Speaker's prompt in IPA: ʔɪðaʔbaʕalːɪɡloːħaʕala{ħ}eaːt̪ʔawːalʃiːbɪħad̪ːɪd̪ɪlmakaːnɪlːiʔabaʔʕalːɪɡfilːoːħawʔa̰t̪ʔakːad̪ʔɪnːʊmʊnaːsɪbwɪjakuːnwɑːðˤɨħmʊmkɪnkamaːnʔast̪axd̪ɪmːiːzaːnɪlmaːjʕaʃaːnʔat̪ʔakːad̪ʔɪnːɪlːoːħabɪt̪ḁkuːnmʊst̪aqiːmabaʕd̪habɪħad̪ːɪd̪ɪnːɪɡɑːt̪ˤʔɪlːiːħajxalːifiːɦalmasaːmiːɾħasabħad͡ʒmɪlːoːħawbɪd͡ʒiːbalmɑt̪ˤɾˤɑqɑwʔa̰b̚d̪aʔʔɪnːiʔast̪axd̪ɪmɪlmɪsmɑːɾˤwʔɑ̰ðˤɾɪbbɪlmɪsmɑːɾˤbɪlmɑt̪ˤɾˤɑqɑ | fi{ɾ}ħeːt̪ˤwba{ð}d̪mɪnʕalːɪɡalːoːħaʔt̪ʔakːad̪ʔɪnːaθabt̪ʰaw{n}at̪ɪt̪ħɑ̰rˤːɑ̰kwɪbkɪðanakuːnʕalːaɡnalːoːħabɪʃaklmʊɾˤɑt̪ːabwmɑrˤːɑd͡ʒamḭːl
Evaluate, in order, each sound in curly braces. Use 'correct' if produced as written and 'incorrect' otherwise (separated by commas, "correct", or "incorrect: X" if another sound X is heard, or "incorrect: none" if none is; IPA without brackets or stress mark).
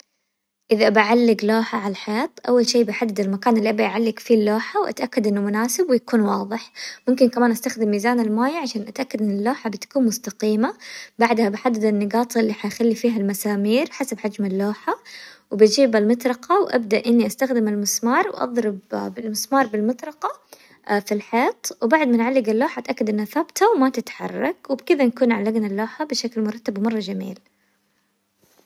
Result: correct, incorrect: l, incorrect: ʕ, incorrect: m